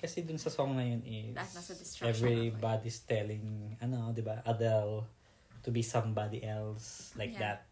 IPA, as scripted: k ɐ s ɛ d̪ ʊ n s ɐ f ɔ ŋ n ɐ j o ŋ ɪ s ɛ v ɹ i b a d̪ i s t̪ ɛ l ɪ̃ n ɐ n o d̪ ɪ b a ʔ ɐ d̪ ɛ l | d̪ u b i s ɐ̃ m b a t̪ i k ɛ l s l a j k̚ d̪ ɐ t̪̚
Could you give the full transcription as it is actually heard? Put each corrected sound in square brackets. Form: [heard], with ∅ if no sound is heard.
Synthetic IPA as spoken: k ɐ s ɛ d̪ ʊ n s ɐ [s] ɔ ŋ n ɐ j o [n] ɪ s ɛ v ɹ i b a d̪ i s t̪ ɛ l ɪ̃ [ŋ] ɐ n o d̪ ɪ b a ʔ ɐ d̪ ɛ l | [t̪] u b i s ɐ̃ m b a [d̪] i [ʔ] ɛ l s l a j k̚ d̪ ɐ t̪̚